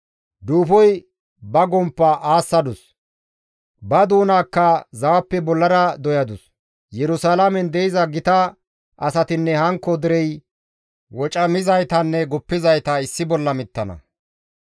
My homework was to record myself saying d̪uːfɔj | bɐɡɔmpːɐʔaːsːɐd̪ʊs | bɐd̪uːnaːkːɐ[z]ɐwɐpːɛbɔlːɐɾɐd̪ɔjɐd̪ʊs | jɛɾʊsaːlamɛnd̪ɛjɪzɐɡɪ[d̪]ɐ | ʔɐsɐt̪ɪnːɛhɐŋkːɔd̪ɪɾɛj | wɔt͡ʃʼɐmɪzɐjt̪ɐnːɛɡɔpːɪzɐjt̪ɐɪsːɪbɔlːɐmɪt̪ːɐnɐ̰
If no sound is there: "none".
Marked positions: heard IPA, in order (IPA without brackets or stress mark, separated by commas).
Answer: z, t̪